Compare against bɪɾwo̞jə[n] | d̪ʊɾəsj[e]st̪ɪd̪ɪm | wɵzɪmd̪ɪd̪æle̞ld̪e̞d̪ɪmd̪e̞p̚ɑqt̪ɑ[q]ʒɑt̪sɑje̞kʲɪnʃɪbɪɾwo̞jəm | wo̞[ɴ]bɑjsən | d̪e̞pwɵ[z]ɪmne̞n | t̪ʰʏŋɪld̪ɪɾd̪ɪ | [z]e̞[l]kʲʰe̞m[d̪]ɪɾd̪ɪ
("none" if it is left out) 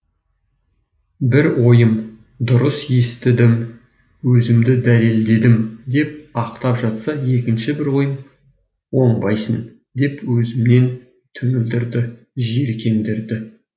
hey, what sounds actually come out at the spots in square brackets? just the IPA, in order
m, e, p, ɴ, z, ʒ, ɾ, d̪

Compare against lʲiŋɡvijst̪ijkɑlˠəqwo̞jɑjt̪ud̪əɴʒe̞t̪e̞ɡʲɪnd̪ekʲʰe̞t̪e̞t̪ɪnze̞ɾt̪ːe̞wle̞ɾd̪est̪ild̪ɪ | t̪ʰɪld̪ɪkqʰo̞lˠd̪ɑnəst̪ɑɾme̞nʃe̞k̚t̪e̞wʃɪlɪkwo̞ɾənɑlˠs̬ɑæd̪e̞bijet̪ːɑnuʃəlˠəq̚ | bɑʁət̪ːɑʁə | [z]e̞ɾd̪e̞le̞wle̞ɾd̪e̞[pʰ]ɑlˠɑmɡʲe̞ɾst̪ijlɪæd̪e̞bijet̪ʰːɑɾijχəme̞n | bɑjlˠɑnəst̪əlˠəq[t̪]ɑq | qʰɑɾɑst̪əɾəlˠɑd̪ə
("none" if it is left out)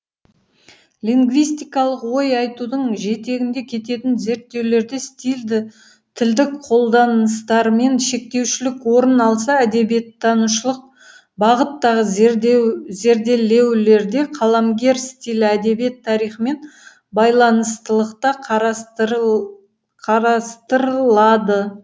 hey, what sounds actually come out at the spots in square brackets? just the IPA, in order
z, qʰ, t̪

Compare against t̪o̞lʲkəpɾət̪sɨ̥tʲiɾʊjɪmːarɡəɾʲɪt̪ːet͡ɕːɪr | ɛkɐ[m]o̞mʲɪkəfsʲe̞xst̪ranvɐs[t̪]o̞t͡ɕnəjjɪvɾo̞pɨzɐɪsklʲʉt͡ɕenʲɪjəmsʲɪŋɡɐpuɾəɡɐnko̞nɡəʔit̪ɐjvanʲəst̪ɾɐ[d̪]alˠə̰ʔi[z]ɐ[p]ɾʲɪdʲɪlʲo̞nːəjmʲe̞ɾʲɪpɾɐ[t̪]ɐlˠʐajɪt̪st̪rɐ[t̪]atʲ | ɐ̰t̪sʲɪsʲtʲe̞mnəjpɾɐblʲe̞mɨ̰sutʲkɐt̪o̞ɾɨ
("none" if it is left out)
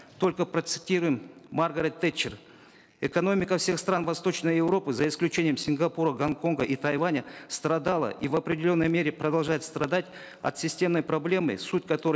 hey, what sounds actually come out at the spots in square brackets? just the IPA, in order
n, t̪, d̪, v, p, d̪, d̪

